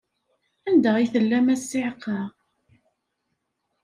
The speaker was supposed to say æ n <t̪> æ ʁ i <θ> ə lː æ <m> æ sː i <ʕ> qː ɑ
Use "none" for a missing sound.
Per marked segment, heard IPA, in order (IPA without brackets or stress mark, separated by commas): d̪, θ, m, ʕ